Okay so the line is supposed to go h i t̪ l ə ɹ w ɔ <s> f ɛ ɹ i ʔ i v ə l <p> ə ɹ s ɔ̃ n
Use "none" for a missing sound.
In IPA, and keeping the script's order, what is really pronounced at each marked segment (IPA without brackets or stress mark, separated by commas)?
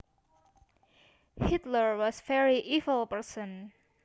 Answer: s, p